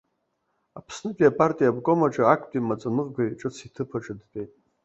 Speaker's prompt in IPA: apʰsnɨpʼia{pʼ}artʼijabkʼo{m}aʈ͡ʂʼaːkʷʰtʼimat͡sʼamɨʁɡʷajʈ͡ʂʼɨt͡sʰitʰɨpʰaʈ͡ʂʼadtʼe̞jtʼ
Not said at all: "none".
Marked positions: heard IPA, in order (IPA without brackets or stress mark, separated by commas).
pʼ, m